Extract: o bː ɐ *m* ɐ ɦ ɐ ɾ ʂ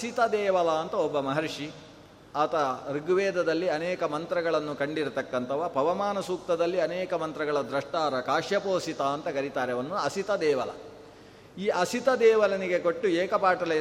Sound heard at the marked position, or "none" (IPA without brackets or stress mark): m